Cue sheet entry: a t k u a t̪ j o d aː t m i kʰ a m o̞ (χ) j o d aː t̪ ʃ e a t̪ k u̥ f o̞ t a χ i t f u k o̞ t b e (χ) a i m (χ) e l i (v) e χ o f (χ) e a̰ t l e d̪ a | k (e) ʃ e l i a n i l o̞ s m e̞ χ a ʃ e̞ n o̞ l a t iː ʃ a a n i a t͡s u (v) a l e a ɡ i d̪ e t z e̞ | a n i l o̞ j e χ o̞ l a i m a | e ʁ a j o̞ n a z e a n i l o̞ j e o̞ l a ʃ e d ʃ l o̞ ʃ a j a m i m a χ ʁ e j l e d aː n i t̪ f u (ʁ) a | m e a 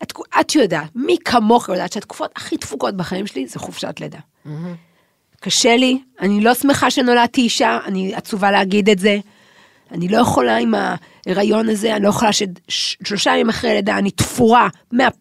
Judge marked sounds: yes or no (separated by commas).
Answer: yes, yes, no, no, no, no, yes, yes